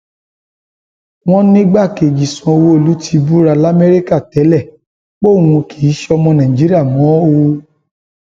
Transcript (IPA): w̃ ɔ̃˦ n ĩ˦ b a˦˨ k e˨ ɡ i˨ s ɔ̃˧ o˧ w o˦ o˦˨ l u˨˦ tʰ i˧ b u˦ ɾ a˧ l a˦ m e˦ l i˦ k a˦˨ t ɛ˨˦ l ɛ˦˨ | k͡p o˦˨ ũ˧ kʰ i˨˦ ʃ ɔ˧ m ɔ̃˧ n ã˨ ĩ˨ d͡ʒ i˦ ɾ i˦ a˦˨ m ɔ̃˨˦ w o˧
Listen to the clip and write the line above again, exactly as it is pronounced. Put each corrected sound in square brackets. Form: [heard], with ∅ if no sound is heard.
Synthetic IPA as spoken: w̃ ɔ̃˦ n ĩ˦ [ɡ͡b] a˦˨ k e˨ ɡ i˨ s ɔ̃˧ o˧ w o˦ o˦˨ l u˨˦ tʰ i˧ b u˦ ɾ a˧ l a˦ m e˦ [ɾ] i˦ k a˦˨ t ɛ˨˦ l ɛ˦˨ | k͡p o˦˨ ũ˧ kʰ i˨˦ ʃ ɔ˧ m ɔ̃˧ n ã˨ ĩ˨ d͡ʒ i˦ ɾ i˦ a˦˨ m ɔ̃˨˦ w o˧

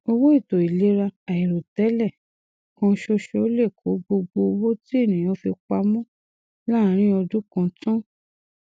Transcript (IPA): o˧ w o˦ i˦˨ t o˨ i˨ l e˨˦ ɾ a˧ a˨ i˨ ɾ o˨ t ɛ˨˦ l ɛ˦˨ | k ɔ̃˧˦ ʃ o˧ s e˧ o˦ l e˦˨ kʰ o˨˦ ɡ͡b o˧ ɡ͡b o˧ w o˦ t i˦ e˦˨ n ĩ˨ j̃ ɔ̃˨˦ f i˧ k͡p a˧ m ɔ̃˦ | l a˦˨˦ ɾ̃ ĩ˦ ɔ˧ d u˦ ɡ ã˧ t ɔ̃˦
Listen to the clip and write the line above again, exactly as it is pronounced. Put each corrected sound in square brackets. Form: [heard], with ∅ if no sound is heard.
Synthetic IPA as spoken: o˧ w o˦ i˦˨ t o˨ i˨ l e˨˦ ɾ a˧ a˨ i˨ ɾ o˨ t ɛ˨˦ l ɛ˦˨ | k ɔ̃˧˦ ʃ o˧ [ʃ] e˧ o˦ l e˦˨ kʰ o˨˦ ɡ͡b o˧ ɡ͡b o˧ w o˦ t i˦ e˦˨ n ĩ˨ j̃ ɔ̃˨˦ f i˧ k͡p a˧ m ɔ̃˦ | l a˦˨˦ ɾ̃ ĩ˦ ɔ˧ d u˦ [k] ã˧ t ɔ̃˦

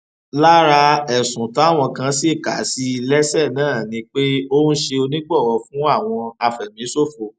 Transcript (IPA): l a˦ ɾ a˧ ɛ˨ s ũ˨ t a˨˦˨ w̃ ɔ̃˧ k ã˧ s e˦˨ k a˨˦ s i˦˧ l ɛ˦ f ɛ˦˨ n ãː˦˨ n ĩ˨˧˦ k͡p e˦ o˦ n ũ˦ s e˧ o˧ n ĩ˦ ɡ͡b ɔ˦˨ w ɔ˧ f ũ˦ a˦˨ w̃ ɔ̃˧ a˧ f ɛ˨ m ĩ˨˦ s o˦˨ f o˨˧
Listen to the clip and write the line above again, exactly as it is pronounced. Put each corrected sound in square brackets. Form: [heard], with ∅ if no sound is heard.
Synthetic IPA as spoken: l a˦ ɾ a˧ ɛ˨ s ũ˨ t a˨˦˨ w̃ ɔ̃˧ k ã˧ s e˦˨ k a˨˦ s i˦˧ l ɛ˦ [s] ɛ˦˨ n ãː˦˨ n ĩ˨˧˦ k͡p e˦ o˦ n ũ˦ [ʃ] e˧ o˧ n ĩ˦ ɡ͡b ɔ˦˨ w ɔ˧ f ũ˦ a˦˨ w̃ ɔ̃˧ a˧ f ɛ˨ m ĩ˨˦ s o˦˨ f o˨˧

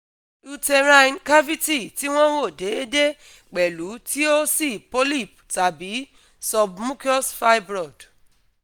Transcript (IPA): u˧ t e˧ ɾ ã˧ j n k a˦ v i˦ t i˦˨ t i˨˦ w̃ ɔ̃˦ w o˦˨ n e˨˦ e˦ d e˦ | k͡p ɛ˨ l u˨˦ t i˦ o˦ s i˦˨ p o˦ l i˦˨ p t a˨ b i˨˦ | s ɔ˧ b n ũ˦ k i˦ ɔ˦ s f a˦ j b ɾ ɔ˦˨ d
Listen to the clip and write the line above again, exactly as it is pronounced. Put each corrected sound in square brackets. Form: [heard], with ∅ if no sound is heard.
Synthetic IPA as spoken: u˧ t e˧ ɾ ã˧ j n k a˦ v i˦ t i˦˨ t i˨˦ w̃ ɔ̃˦ w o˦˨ [d] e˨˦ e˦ d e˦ | k͡p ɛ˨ l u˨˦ t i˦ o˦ s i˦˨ p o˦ l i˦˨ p t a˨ b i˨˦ | s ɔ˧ b [m] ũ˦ k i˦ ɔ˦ s f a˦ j b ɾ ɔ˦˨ d

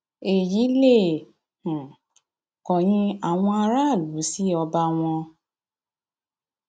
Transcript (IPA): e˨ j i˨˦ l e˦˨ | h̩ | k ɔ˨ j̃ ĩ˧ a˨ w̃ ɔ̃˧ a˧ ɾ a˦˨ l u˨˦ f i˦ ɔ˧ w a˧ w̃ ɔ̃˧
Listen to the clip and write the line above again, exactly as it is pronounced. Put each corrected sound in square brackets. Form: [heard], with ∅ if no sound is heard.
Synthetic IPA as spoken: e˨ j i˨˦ l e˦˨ | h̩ | k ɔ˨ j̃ ĩ˧ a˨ w̃ ɔ̃˧ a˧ ɾ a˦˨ l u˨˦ [s] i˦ ɔ˧ [b] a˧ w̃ ɔ̃˧

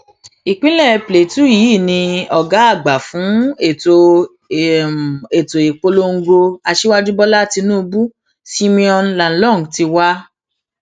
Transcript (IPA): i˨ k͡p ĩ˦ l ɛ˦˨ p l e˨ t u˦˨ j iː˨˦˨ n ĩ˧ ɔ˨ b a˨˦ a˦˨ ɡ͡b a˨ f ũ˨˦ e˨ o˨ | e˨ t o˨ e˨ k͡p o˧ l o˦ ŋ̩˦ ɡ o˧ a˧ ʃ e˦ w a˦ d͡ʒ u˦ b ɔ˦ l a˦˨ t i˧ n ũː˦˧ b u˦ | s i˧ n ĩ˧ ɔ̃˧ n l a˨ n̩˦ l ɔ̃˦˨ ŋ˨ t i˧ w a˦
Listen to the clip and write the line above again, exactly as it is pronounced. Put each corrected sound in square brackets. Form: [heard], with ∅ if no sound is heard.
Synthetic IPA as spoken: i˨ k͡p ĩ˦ l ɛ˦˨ p l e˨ t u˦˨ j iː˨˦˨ n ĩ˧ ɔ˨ [ɡ] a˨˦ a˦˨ ɡ͡b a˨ f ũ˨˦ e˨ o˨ | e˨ t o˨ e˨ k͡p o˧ l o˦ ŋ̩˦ ɡ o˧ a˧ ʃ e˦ w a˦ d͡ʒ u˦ b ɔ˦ l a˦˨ t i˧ n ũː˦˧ b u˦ | s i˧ [m] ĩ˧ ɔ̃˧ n l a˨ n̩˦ l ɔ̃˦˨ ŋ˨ t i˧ w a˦

